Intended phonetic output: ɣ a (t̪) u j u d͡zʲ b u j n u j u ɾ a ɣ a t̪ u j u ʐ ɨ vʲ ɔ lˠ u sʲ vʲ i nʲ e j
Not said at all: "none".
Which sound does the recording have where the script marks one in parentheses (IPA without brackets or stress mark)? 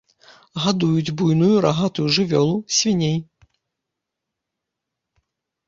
d̪